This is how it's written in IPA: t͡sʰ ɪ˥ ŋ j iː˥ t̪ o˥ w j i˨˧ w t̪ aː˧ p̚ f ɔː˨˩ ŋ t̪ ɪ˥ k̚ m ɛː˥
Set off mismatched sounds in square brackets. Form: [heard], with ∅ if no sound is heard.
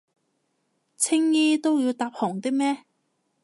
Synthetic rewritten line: t͡sʰ ɪ˥ ŋ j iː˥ t̪ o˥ w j i˨˧ w t̪ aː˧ p̚ [h] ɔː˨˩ ŋ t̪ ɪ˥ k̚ m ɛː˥